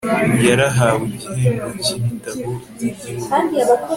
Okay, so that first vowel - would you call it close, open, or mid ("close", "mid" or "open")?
open